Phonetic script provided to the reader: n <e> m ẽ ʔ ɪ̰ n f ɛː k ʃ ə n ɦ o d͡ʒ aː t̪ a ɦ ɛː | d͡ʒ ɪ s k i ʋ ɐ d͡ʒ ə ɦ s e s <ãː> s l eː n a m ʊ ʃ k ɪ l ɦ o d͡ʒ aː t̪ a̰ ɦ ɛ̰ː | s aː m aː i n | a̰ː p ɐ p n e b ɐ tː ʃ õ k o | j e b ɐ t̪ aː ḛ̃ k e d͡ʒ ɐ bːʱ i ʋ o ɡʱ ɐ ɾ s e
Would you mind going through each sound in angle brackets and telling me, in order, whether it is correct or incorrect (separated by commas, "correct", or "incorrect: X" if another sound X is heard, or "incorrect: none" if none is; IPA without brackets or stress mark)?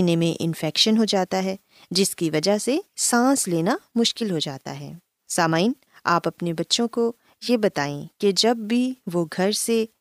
correct, correct